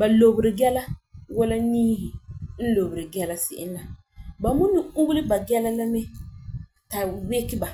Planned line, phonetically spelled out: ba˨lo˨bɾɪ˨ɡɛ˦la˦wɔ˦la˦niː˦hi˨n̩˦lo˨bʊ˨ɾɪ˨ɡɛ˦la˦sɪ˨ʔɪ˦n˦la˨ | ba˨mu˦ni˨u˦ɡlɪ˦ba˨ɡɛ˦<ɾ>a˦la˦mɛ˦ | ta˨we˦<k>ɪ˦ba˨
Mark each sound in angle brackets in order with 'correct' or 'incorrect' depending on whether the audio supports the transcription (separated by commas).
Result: incorrect, correct